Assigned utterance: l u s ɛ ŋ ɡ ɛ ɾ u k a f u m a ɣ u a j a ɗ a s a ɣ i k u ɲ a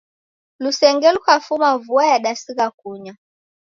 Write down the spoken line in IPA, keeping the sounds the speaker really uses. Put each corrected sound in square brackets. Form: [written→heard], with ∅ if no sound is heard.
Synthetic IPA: l u s ɛ ŋ ɡ ɛ [ɾ→l] u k a f u m a [ɣ→v] u a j a ɗ a s [a→i] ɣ [i→a] k u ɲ a